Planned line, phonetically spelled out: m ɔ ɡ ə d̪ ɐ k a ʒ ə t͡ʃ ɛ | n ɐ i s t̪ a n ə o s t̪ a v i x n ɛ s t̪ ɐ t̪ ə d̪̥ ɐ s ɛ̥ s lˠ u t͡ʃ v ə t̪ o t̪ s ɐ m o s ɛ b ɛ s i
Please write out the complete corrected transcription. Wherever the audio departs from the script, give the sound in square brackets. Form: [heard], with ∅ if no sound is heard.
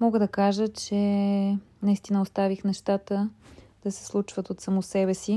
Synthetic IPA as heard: m ɔ ɡ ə d̪ ɐ k a ʒ ə t͡ʃ ɛ | n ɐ i s t̪ [i] n ə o s t̪ a v i x n ɛ [ʃ] t̪ [a] t̪ ə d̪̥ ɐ s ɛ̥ s lˠ u t͡ʃ v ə t̪ o t̪ s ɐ m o s ɛ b ɛ s i